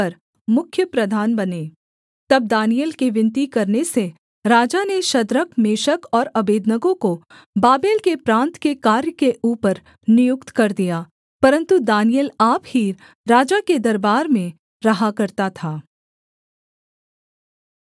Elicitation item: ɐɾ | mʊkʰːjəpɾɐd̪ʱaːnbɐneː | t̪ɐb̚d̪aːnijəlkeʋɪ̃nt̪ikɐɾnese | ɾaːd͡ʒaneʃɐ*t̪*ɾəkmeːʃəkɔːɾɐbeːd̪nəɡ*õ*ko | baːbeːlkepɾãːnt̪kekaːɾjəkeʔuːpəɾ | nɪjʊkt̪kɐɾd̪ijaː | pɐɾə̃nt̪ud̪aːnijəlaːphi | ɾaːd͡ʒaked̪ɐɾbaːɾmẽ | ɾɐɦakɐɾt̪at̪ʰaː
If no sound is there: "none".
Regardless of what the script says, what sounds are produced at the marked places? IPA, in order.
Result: d̪, õ

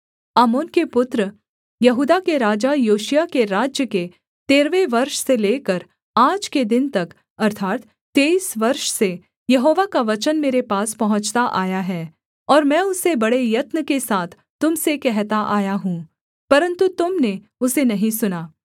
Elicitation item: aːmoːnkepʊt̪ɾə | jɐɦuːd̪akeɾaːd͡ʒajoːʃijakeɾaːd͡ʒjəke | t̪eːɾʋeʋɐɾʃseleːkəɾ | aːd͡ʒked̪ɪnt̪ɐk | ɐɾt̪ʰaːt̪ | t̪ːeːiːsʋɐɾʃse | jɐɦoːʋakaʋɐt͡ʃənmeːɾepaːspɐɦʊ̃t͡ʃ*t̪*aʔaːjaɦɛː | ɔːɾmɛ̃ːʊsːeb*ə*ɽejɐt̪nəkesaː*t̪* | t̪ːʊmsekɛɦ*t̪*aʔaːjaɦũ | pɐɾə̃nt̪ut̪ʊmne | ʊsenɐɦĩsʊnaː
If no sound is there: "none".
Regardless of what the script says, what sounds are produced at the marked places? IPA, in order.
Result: t̪, ɐ, t̪ʰ, t̪

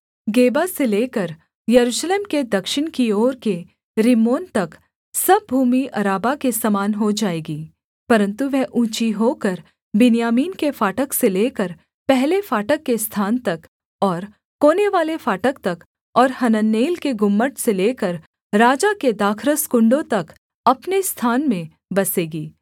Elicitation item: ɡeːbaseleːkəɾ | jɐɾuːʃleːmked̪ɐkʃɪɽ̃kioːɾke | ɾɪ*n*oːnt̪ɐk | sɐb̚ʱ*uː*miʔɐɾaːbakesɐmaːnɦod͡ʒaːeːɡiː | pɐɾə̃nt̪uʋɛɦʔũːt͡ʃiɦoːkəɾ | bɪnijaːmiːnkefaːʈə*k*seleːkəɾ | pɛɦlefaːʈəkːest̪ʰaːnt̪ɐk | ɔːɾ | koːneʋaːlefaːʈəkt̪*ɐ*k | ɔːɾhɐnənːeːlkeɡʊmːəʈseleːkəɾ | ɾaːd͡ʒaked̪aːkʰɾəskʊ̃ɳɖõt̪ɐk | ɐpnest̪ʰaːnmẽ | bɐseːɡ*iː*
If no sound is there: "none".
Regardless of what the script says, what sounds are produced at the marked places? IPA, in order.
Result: m, uː, k, ɐ, iː

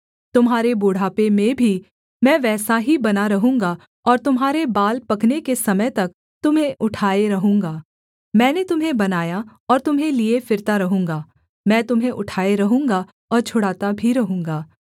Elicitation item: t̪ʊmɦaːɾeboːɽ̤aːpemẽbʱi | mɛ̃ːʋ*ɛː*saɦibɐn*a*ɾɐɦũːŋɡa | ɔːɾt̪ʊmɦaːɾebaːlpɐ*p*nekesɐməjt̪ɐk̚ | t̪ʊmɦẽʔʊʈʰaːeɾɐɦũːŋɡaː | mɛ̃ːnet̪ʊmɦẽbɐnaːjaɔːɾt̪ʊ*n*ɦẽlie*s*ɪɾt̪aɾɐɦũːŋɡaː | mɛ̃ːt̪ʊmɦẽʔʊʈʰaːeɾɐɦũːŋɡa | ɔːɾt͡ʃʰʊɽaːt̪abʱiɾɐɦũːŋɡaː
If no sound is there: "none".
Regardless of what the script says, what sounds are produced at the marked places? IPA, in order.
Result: ɛː, a, k, m, f

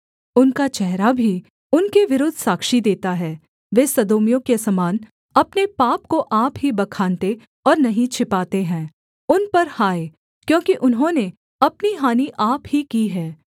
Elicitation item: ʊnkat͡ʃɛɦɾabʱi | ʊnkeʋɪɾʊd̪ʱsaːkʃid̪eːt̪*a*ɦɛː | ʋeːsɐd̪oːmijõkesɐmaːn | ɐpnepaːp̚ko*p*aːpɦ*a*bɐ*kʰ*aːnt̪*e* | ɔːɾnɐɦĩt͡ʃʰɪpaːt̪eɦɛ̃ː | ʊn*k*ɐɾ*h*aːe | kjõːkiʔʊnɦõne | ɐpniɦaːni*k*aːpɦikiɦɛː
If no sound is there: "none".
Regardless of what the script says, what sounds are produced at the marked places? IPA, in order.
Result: a, ʔ, i, kʰ, e, p, h, ʔ

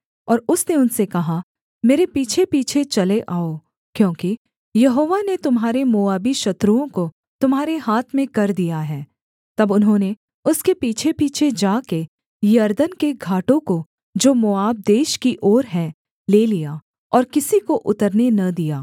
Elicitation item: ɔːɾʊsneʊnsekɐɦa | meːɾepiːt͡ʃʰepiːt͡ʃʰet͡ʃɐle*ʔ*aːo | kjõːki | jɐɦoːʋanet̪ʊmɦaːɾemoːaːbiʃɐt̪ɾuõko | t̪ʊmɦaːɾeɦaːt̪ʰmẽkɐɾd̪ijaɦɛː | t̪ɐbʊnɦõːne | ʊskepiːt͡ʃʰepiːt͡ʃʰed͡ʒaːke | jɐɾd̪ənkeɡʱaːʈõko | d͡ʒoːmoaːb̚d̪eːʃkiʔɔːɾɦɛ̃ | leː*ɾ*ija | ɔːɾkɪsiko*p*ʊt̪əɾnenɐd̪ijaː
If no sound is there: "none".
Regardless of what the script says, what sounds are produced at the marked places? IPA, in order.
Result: ʔ, l, ʔ

